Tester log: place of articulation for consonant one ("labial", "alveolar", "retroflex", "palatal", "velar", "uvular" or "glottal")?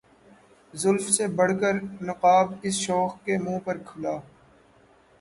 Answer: alveolar